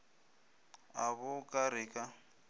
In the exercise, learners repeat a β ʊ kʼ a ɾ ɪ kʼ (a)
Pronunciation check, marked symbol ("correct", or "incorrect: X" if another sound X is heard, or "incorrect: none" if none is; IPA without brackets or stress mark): correct